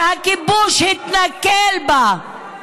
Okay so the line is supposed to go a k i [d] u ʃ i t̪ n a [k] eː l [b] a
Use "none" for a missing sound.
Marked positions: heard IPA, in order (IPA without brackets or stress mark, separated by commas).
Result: b, k, b